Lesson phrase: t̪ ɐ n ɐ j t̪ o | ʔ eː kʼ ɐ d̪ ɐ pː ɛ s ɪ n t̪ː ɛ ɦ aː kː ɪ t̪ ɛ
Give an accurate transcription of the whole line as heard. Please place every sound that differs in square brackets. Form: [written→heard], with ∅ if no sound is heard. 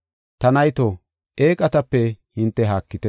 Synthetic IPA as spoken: t̪ ɐ n ɐ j t̪ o | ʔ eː kʼ ɐ [d̪→t̪] ɐ pː ɛ [s→h] ɪ n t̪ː ɛ ɦ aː kː ɪ t̪ ɛ